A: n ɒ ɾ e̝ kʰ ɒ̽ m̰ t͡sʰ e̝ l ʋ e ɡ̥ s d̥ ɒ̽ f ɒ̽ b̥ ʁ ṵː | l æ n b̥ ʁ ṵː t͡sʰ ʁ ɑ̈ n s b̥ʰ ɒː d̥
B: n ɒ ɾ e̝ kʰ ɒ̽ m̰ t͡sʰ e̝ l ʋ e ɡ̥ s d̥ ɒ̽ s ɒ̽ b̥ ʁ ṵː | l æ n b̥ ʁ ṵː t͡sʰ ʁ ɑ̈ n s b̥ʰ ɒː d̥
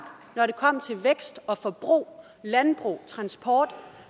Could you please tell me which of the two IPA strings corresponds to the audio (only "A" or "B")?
A